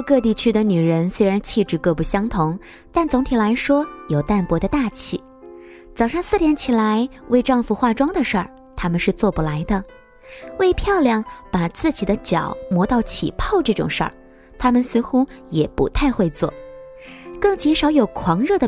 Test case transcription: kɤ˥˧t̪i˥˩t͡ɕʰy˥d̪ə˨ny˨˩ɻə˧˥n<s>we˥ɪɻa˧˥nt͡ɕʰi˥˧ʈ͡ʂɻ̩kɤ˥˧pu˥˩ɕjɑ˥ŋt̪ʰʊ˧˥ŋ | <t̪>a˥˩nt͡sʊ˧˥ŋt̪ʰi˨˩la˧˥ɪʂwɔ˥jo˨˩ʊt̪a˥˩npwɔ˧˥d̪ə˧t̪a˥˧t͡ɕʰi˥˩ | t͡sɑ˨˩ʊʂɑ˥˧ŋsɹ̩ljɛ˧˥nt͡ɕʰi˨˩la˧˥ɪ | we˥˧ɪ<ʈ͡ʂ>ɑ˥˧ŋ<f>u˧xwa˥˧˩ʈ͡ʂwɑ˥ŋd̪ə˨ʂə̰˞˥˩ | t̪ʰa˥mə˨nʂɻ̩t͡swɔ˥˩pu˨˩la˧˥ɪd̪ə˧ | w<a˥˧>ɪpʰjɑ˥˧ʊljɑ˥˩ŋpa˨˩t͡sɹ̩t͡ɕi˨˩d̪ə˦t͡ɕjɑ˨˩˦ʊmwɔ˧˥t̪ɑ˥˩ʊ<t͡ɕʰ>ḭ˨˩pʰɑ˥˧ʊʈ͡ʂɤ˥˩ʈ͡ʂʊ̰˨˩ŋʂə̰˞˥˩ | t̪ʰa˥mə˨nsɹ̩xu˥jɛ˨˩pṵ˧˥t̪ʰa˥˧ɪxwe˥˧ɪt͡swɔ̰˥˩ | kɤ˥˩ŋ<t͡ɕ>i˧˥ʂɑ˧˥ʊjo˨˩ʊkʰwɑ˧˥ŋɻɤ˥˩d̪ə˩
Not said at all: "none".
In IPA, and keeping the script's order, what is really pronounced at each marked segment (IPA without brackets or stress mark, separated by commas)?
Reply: s, t̪, ʈ͡ʂ, f, e˥˧, t͡ɕʰ, t͡ɕ